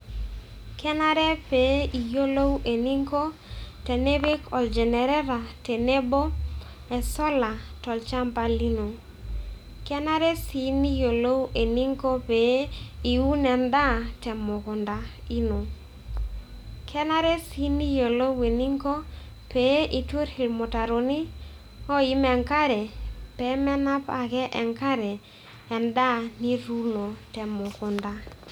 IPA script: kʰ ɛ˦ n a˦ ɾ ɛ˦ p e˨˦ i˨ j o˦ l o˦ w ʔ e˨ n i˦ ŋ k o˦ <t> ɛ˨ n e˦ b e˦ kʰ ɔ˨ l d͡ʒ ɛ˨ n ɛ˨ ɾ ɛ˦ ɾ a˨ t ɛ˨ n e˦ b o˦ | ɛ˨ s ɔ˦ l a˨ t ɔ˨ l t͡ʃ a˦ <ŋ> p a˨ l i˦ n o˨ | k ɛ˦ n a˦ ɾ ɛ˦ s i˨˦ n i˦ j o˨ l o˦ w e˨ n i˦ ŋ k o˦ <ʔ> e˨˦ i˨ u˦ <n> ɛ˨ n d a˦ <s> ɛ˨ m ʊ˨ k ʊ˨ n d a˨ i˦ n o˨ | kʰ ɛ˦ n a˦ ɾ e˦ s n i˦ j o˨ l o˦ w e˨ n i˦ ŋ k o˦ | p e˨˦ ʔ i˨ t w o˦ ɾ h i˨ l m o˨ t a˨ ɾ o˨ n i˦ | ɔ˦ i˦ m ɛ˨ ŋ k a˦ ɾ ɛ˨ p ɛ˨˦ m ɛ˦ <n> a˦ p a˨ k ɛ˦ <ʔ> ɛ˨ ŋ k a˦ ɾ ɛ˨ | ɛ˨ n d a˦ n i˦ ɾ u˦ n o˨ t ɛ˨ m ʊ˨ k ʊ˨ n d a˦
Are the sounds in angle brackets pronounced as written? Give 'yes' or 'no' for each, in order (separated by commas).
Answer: yes, no, no, yes, no, yes, yes